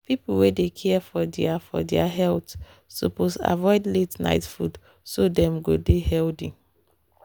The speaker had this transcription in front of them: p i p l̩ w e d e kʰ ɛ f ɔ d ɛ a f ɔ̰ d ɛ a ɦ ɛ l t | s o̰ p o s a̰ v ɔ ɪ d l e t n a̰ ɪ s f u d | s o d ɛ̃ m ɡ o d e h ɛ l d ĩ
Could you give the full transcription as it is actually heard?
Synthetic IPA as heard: p i p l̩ w e d e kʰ ɛ f ɔ d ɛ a f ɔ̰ d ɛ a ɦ ɛ l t | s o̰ p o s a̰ v ɔ ɪ d l e t n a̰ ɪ t f u d | s o d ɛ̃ m ɡ o d e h ɛ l d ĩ